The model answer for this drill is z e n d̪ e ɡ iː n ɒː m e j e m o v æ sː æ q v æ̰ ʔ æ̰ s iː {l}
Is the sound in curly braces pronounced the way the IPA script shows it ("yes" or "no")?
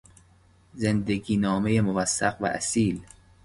yes